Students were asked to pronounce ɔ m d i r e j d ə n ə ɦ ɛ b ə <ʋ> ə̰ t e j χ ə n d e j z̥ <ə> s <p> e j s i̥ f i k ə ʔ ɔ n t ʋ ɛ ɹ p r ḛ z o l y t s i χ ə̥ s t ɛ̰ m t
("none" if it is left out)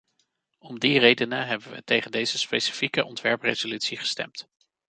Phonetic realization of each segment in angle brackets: ʋ, ə, p

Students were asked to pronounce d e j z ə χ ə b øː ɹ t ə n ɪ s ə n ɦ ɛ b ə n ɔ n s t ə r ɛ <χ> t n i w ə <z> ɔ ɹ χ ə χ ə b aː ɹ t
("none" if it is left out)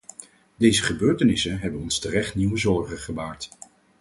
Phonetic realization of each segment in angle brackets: χ, z

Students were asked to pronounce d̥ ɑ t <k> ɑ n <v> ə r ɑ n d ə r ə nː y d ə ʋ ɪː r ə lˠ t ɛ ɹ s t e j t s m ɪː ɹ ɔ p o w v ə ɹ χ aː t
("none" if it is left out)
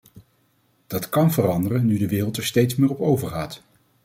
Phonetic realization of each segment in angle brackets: k, v

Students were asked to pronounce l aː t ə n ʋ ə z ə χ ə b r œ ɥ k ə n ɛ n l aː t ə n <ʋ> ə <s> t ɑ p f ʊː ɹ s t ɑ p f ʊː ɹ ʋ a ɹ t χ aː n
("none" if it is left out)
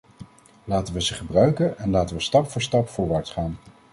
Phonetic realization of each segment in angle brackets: ʋ, s

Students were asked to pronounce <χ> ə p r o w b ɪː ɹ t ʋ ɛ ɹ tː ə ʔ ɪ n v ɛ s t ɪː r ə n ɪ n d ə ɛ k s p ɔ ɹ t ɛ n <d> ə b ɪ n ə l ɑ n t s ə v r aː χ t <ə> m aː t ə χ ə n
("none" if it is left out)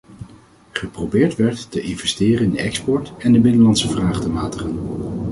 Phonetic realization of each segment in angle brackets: χ, d, ə

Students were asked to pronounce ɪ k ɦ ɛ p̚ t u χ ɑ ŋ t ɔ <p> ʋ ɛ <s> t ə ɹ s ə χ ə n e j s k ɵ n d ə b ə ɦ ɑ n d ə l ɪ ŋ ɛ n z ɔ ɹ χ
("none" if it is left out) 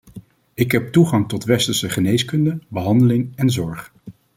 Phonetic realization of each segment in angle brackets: t, s

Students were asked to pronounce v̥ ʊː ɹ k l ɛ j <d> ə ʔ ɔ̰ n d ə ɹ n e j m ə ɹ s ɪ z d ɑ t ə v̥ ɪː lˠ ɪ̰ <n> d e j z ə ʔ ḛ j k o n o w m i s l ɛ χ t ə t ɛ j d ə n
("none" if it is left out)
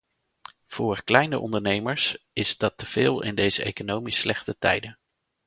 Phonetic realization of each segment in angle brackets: n, n

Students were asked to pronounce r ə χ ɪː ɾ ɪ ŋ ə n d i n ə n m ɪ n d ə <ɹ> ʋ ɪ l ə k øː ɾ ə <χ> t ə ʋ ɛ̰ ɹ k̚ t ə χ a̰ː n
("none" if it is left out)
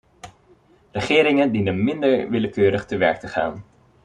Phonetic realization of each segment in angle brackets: ɹ, χ

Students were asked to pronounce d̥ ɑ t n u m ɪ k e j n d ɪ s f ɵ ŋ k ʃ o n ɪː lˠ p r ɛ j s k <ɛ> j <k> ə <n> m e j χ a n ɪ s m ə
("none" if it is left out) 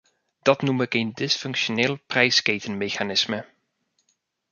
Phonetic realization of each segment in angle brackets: e, t, n

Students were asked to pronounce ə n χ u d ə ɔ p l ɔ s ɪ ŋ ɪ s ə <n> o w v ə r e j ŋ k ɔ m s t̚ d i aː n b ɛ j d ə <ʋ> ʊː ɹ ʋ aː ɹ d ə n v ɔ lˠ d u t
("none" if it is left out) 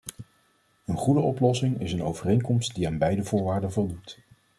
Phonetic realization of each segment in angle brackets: n, v

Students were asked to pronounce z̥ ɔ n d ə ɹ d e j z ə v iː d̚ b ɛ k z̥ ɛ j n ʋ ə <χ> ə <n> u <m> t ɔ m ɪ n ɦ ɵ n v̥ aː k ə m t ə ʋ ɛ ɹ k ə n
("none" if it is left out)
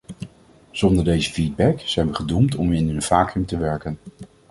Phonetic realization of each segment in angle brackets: χ, d, m

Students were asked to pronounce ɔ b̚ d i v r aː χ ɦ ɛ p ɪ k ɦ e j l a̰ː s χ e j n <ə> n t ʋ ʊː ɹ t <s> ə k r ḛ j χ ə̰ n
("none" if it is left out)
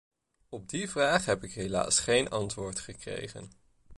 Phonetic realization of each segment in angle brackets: ɑ, χ

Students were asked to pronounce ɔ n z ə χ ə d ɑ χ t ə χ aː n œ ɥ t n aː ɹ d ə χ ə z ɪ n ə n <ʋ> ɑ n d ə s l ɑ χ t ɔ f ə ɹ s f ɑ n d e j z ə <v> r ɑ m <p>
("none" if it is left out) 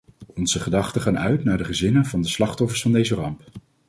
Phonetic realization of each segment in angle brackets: v, none, p

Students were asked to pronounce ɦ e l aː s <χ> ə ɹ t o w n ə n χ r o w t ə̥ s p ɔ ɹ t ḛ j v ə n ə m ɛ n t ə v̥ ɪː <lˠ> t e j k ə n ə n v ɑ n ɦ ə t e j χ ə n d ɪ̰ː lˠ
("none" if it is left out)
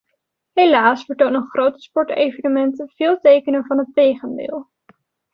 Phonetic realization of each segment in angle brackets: f, lˠ

